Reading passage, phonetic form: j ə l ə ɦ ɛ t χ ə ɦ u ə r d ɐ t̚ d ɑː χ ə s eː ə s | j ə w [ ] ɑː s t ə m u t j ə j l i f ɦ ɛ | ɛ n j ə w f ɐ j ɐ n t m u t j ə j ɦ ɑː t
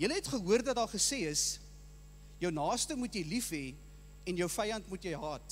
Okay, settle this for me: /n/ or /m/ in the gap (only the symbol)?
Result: n